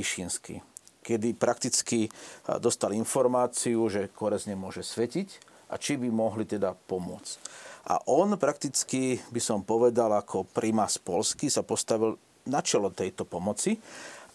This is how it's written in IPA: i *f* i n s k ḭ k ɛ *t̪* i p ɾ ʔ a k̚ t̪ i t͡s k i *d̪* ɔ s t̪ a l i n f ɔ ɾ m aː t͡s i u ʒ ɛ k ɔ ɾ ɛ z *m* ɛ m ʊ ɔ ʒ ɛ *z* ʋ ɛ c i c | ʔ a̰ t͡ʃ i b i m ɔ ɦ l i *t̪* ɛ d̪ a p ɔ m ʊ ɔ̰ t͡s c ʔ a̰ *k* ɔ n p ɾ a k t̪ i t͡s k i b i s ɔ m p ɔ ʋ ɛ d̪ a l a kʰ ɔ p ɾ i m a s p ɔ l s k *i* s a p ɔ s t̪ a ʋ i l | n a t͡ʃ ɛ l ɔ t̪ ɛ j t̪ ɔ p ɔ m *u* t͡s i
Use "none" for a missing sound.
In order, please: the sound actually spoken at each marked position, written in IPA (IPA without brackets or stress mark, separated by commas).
ʃ, d̪, d̪, ɲ, s, t̪, ʔ, i, ɔ